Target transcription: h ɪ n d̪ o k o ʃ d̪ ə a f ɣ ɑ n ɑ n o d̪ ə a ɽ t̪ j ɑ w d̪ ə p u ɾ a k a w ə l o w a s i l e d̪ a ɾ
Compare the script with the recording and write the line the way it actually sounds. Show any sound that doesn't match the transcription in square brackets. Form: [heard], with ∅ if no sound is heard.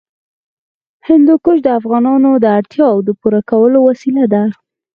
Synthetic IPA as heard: h ɪ n d̪ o k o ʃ d̪ ə a f ɣ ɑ n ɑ n o d̪ ə a ɽ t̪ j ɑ w d̪ ə p u ɾ a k a w ə l o w a s i l [a] d̪ a ɾ